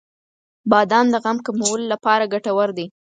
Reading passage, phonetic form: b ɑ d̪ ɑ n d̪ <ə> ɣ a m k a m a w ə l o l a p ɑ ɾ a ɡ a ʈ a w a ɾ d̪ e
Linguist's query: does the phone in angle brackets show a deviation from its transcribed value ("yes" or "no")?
no